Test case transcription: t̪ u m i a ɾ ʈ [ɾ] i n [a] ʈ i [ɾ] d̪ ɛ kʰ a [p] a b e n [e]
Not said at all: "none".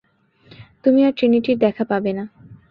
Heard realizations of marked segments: ɾ, i, ɾ, p, a

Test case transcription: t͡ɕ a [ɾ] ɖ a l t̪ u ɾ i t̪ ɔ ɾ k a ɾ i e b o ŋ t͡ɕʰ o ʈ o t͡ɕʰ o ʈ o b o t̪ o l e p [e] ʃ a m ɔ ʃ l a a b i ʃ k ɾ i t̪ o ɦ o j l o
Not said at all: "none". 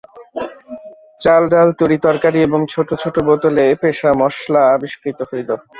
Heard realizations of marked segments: l, e

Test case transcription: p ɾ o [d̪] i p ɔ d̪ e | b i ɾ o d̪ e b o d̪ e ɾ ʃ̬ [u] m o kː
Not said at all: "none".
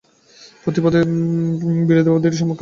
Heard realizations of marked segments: t̪, ɔ

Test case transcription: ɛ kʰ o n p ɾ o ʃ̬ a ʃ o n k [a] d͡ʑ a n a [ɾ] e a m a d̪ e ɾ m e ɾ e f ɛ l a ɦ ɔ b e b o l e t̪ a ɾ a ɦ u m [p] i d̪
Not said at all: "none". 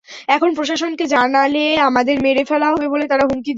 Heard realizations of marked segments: e, l, k

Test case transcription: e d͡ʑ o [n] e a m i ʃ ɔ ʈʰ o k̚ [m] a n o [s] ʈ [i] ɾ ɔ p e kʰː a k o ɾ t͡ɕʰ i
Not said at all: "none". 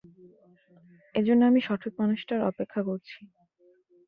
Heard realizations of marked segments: nː, m, ʃ, a

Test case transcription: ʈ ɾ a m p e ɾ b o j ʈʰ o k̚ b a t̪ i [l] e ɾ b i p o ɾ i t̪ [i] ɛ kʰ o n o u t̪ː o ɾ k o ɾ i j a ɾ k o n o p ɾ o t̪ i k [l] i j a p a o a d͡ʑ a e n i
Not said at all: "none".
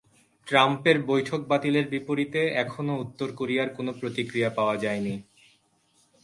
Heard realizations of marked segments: l, e, ɾ

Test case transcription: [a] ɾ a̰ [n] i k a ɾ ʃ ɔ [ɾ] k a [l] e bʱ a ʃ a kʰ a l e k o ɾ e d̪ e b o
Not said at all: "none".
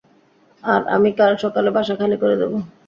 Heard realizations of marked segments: a, m, none, l

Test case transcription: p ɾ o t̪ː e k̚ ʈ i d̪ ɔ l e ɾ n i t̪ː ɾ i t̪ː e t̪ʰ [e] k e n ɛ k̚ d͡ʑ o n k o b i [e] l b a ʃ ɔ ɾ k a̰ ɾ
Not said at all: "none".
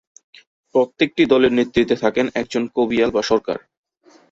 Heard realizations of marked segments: a, a

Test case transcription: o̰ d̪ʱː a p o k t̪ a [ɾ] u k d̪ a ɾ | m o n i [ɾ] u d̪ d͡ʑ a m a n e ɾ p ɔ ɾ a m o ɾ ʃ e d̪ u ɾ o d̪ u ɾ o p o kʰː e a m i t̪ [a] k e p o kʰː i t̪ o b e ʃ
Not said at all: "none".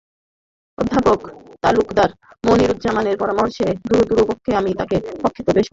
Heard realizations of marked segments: l, ɾ, a

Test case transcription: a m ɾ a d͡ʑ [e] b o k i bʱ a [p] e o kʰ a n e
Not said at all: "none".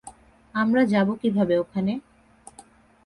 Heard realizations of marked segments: a, b

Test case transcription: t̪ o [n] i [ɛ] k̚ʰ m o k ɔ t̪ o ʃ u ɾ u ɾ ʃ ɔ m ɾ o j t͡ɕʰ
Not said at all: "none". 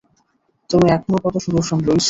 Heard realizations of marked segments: m, ɛ

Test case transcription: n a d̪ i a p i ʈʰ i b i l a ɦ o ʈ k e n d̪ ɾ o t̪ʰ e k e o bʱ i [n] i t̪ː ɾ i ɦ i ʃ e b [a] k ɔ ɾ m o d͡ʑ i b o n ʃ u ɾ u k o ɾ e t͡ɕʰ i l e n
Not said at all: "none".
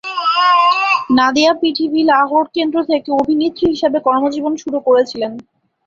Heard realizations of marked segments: n, e

